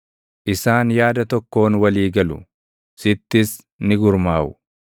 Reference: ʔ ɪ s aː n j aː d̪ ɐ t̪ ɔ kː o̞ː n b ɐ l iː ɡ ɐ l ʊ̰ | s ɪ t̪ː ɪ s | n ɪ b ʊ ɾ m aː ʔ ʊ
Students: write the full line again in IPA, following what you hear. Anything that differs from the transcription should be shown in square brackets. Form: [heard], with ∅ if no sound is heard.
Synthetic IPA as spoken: ʔ ɪ s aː n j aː d̪ ɐ t̪ ɔ kː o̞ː n [w] ɐ l iː ɡ ɐ l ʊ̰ | s ɪ t̪ː ɪ s | n ɪ [ɡ] ʊ ɾ m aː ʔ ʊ